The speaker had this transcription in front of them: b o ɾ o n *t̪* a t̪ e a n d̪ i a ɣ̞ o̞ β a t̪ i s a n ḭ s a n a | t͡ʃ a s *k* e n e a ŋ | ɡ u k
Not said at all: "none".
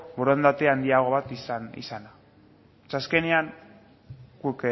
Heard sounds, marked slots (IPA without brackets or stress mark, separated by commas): d̪, k